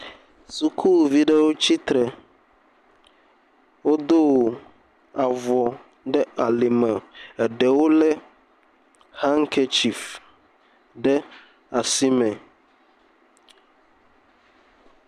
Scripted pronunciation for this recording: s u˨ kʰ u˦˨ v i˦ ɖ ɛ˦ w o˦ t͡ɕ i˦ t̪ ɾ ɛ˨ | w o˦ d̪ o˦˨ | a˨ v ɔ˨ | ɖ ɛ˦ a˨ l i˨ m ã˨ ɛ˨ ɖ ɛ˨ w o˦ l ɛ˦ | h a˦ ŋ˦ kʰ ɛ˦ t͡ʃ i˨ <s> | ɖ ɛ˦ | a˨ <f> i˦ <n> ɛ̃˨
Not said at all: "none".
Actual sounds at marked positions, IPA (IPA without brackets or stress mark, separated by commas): f, s, m